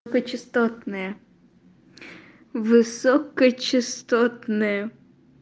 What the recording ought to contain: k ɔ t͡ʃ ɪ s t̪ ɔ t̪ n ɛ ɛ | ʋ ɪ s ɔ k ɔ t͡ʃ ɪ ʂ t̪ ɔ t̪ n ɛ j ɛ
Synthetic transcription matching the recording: k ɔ t͡ʃ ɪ s t̪ ɔ t̪ n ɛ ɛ | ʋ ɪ s ɔ k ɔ t͡ʃ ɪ s t̪ ɔ t̪ n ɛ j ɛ